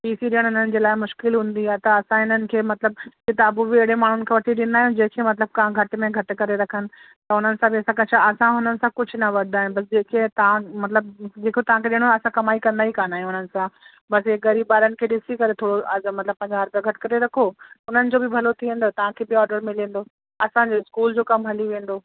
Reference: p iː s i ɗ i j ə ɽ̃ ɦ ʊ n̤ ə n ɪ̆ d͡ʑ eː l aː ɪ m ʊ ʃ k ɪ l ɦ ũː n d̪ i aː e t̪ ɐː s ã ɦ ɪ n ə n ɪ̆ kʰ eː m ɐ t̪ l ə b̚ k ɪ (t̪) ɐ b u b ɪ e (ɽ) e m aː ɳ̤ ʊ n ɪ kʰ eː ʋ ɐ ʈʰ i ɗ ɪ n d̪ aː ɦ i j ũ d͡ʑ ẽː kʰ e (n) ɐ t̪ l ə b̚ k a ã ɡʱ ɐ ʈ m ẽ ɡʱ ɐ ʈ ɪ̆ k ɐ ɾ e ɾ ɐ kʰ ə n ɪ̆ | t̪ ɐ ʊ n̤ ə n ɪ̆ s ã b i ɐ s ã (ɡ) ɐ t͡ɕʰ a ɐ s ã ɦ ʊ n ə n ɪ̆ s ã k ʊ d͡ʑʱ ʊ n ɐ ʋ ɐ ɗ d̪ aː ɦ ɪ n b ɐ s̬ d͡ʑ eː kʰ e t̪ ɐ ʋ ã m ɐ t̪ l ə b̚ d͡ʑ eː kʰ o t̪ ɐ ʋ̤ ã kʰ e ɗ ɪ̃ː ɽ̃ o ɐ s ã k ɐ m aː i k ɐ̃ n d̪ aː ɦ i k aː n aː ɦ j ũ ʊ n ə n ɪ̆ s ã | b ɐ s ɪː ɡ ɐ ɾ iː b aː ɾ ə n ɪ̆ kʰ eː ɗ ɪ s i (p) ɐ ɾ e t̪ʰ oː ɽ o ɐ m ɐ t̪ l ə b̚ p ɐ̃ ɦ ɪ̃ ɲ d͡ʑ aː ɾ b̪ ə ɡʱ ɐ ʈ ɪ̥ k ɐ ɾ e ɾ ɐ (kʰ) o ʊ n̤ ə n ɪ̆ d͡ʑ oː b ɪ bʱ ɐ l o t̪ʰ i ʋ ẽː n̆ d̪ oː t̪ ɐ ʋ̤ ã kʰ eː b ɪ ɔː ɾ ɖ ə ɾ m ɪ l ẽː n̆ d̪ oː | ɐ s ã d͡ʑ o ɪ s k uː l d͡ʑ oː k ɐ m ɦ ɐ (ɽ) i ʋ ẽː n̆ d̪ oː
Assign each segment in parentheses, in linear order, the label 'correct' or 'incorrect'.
correct, correct, incorrect, incorrect, incorrect, correct, incorrect

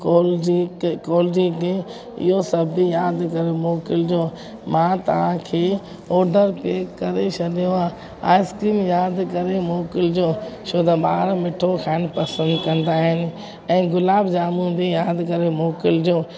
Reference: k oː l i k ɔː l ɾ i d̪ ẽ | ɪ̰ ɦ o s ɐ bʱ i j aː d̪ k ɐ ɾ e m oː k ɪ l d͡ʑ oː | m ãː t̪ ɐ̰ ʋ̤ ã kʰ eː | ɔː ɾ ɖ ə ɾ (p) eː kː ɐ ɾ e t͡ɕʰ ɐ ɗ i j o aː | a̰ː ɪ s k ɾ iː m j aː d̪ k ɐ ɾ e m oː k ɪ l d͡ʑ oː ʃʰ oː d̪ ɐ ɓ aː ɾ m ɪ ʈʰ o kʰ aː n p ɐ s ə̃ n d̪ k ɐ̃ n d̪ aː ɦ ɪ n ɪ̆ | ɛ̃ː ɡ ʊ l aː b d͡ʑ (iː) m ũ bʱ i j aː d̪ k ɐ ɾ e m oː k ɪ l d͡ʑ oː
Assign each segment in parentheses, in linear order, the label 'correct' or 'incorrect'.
correct, incorrect

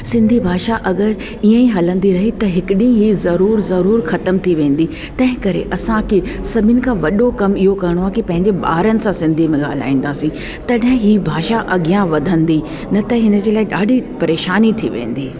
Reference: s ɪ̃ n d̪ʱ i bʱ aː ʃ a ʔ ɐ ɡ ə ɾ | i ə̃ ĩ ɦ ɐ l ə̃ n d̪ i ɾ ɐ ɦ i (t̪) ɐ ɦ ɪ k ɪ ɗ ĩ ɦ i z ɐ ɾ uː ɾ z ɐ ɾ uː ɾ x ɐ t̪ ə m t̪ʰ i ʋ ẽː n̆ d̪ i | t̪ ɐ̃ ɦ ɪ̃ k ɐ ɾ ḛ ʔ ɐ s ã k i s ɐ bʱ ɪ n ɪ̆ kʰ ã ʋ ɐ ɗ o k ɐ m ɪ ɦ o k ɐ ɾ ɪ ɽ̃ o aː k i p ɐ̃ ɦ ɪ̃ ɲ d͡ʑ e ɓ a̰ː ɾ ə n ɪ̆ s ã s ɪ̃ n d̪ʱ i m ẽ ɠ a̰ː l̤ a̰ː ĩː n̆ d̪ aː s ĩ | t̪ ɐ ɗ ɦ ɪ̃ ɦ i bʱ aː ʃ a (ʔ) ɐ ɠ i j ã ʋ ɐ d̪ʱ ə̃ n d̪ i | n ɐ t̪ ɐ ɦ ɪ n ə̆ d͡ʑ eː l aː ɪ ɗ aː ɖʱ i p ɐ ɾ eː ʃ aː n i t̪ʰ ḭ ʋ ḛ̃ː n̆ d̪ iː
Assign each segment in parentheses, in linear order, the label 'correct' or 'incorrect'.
correct, correct

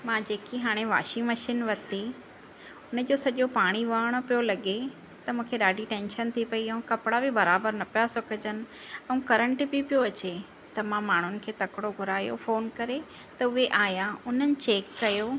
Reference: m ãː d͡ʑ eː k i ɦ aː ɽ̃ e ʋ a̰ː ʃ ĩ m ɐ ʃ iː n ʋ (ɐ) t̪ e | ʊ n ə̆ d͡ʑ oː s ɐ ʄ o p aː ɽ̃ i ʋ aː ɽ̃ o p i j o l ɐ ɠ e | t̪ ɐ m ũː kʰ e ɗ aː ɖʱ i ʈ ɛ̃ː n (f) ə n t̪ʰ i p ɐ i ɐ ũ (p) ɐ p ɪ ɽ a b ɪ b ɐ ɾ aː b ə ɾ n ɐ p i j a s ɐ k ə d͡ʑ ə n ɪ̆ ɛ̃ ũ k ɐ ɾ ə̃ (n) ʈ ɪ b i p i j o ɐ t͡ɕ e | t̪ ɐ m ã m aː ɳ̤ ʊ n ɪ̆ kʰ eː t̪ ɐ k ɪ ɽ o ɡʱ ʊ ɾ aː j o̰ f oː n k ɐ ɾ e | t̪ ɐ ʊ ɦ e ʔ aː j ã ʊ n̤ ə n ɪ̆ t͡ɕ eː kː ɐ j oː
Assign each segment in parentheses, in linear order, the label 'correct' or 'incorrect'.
correct, incorrect, incorrect, incorrect

